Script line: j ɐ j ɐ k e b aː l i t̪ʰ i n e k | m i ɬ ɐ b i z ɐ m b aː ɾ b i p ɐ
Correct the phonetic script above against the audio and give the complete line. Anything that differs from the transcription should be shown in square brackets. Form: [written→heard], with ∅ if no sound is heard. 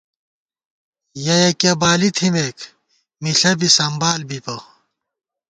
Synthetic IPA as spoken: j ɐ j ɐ k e b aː l i t̪ʰ i [n→m] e k | m i ɬ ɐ b i [z→s] ɐ m b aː [ɾ→l] b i p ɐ

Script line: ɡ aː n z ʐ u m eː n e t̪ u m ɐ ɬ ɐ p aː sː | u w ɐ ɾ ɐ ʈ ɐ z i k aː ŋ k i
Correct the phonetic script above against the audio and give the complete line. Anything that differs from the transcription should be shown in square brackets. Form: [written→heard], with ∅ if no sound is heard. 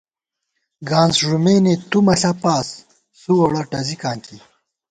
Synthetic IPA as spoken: ɡ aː n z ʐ u m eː n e t̪ u m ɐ ɬ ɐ p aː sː | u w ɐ [ɾ→ɽ] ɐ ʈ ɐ z i k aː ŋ k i

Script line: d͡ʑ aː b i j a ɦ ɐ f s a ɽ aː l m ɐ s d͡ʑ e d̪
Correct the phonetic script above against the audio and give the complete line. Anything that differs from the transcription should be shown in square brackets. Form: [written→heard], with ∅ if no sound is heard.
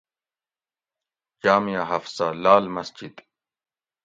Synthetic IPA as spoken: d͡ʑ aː [b→m] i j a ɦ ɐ f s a [ɽ→l] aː l m ɐ s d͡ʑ [e→i] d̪

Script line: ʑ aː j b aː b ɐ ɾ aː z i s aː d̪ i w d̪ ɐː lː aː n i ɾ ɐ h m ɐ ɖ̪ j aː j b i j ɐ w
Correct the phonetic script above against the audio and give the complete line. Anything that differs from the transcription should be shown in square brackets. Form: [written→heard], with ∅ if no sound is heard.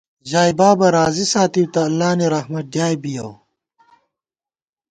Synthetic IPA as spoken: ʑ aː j b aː b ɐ ɾ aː z i s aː [d̪→t̪] i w [d̪→t̪] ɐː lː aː n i ɾ ɐ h m ɐ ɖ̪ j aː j b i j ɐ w

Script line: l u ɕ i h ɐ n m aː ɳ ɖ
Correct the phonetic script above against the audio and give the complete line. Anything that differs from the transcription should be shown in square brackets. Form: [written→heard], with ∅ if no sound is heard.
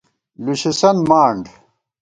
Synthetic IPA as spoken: l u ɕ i [h→s] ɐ n m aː ɳ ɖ

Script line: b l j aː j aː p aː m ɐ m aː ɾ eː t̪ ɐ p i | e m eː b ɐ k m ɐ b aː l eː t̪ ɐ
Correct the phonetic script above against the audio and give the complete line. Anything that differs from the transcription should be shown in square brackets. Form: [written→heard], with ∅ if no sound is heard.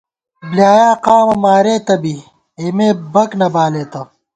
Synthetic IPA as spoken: b l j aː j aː [p→q] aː m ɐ m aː ɾ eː t̪ ɐ [p→b] i | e m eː b ɐ k [m→n] ɐ b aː l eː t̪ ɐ

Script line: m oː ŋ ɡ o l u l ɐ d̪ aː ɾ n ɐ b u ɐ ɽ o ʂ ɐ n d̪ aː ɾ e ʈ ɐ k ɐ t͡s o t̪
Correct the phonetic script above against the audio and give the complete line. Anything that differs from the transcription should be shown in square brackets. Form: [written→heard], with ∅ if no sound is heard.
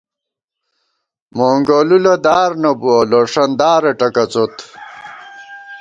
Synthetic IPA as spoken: m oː ŋ ɡ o l u l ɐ d̪ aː ɾ n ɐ b u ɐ [ɽ→l] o ʂ ɐ n d̪ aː ɾ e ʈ ɐ k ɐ t͡s o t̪

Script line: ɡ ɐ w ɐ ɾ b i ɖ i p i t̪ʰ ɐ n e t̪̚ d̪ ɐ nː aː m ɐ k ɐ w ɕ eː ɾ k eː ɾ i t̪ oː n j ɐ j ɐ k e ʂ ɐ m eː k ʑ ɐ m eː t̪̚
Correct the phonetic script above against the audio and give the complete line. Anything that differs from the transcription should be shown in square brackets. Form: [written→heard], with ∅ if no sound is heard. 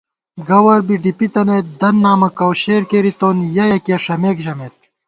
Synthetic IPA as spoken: ɡ ɐ w ɐ ɾ b i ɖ i p i [t̪ʰ→t̪] ɐ n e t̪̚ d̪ ɐ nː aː m ɐ k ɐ w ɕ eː ɾ k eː ɾ i t̪ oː n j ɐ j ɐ k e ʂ ɐ m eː k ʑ ɐ m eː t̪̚

